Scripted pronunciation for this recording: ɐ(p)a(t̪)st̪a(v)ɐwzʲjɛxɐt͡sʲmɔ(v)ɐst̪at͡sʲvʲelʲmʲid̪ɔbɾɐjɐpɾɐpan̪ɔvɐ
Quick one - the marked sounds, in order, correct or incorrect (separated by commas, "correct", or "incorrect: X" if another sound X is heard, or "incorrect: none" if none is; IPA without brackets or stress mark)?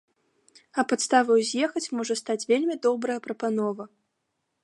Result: correct, correct, correct, incorrect: ʐ